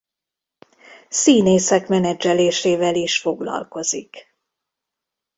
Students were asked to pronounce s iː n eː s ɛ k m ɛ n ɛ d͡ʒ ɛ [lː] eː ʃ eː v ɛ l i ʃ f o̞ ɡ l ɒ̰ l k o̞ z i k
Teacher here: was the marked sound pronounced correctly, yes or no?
no